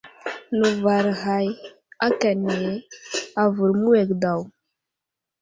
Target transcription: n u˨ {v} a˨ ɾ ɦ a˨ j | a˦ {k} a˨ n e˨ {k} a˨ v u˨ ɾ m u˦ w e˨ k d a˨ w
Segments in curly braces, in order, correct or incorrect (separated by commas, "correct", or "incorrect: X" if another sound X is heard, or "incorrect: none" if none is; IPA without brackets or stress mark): correct, correct, incorrect: none